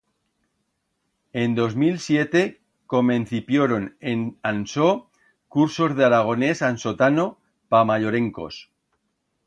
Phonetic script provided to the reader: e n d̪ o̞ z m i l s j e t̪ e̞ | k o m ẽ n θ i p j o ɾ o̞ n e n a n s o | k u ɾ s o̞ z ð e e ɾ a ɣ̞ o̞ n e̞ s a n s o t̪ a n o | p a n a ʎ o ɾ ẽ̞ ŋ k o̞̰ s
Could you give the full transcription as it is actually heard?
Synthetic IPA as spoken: e n d̪ o̞ z m i l s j e t̪ e̞ | k o m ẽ n θ i p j o ɾ o̞ n e n a n s o | k u ɾ s o̞ z ð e a ɾ a ɣ̞ o̞ n e̞ s a n s o t̪ a n o | p a m a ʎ o ɾ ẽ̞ ŋ k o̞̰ s

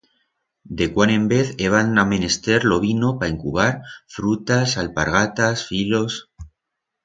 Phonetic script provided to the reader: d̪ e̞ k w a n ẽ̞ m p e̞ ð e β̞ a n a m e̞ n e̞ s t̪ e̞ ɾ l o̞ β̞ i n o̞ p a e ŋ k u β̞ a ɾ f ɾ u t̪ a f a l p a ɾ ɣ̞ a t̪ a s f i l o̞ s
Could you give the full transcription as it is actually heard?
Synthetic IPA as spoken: d̪ e̞ k w a n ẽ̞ m b e̞ θ e β̞ a n a m e̞ n e̞ s t̪ e̞ ɾ l o̞ β̞ i n o̞ p a e ŋ k u β̞ a ɾ f ɾ u t̪ a s a l p a ɾ ɣ̞ a t̪ a s f i l o̞ s

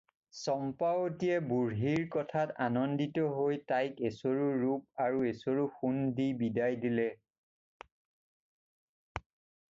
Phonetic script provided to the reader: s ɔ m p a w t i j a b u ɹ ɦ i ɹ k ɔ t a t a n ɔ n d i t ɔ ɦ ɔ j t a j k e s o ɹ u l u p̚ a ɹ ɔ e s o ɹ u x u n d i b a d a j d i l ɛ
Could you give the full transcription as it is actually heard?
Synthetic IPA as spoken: s ɔ m p a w t i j ɛ b u ɹ ɦ i ɹ k ɔ tʰ a t a n ɔ n d i t ɔ ɦ o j t a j k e s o ɹ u ɹ u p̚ a ɹ u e s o ɹ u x u n d i b i d a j d i l ɛ

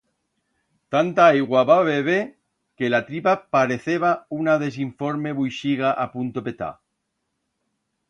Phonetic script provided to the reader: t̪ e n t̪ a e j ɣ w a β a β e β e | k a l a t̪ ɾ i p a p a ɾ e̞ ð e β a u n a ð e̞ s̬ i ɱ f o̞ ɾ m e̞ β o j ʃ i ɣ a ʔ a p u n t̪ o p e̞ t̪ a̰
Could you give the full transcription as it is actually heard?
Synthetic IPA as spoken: t̪ a n t̪ a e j ɣ w a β a β e β e | k e l a t̪ ɾ i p a p a ɾ e̞ θ e β a u n a ð e̞ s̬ i ɱ f o̞ ɾ m e̞ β u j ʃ i ɣ a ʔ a p u n t̪ o p e̞ t̪ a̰

